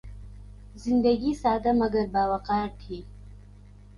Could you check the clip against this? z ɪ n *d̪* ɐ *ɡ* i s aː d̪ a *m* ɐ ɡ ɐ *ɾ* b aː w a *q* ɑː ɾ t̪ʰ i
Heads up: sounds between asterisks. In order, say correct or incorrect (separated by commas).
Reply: correct, correct, correct, correct, correct